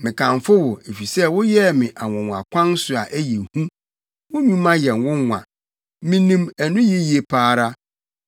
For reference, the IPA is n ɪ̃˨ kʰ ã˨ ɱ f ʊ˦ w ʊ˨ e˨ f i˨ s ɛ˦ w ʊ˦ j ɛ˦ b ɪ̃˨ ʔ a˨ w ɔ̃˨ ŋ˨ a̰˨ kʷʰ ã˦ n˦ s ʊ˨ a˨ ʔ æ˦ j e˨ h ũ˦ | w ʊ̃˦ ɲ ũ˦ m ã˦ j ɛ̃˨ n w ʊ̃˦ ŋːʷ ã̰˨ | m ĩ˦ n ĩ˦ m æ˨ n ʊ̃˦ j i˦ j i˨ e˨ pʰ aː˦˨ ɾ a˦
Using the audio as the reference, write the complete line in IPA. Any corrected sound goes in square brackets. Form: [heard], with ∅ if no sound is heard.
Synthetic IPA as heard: [m] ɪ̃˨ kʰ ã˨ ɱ f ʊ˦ w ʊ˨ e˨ f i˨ s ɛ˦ w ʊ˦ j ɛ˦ [m] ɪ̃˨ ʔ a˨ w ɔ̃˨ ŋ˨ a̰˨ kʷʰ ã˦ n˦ s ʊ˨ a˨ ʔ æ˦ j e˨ h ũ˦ | w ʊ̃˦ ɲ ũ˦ m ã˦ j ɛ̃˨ n w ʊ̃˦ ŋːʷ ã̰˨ | m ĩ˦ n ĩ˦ m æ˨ n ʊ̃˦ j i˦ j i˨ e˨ pʰ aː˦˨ ɾ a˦